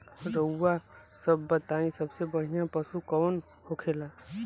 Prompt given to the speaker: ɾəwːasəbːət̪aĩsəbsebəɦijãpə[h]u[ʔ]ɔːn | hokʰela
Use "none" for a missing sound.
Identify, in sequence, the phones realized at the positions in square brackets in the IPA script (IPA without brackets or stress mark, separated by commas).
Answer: s, k